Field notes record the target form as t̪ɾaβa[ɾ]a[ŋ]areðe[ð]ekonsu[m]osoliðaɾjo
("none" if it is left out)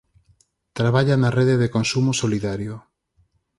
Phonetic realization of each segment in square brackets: ʎ, n, ð, m

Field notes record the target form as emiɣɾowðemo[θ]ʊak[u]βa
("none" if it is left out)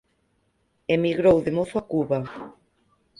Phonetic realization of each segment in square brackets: θ, u

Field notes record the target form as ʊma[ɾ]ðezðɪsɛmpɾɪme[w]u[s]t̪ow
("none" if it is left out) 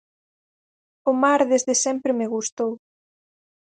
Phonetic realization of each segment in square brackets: ɾ, ɣ, s

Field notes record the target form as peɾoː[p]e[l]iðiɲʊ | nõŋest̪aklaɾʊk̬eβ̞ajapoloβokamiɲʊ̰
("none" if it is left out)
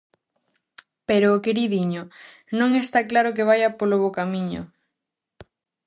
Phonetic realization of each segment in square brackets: k, ɾ

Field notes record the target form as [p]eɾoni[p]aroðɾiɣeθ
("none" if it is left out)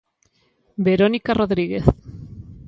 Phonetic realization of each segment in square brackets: b, k

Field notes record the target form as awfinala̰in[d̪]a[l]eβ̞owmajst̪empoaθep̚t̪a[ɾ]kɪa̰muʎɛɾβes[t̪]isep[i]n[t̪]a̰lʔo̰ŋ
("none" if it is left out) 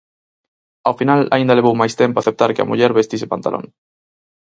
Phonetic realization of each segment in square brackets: d̪, l, ɾ, t̪, a, t̪

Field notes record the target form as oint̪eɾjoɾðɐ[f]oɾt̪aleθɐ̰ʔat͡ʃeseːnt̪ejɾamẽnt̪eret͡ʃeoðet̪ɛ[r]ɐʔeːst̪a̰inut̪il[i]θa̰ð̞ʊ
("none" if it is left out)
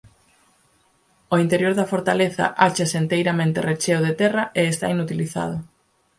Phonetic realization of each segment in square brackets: f, r, i

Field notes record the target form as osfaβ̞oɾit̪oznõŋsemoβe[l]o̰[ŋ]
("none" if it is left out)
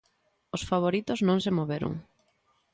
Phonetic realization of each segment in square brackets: ɾ, ŋ

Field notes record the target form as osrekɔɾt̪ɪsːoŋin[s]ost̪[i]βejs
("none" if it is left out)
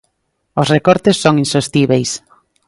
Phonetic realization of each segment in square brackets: s, i

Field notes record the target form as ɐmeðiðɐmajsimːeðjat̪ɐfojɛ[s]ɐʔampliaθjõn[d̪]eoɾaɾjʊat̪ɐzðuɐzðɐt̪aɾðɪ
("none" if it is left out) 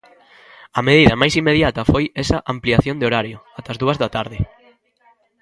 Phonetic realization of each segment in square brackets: s, d̪

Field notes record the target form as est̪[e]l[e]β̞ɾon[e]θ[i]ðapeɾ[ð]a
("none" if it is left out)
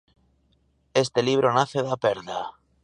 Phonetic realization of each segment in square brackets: e, i, a, e, ð

